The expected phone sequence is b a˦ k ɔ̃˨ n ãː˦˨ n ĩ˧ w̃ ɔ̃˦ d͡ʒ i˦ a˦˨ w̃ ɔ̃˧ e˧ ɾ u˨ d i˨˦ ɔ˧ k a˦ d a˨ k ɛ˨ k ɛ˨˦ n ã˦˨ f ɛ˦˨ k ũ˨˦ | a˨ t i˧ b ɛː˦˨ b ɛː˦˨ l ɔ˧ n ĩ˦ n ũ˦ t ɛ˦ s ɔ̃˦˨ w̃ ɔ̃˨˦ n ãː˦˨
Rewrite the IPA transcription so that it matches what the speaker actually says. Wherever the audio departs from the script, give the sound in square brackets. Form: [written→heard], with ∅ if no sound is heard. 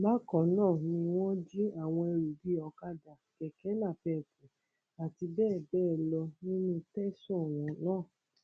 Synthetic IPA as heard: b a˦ k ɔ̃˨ n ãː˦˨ n ĩ˧ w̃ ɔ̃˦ d͡ʒ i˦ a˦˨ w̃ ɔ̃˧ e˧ ɾ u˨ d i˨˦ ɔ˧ k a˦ d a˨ k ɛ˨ k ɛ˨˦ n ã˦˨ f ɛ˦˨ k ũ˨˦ | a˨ t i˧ b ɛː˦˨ b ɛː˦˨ l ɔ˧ n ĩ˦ n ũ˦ t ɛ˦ s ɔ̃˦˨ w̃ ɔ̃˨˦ n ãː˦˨